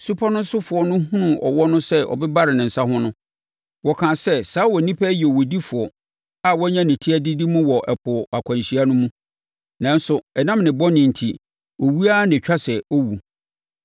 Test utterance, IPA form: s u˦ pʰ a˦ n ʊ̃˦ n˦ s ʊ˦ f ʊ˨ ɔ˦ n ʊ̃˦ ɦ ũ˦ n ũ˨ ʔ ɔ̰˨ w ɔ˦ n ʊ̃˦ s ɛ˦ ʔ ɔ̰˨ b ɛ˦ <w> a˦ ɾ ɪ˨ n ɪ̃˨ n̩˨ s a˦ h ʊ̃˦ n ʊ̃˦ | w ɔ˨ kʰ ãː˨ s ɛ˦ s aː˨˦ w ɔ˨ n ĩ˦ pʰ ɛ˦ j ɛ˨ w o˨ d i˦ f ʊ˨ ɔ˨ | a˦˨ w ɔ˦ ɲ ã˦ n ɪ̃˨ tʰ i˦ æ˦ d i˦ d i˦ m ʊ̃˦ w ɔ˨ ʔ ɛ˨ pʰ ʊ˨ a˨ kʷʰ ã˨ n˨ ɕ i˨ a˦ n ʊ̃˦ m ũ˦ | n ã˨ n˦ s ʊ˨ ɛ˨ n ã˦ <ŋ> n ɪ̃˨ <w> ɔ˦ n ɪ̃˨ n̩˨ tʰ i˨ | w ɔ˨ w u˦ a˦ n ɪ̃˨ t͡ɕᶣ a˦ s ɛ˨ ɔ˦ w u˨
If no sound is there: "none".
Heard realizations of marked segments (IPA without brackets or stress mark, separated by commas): b, m, b